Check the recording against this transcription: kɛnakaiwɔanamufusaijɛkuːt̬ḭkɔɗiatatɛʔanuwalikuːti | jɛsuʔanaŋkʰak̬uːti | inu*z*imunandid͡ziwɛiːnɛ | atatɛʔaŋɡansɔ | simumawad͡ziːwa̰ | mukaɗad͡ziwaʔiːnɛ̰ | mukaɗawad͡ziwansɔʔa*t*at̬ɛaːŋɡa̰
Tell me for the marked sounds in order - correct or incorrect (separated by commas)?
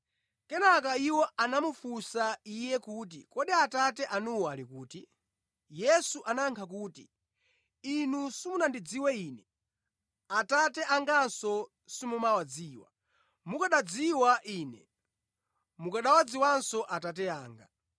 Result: incorrect, correct